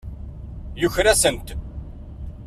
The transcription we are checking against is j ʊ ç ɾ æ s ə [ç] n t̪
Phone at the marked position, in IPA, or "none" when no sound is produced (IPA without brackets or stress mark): none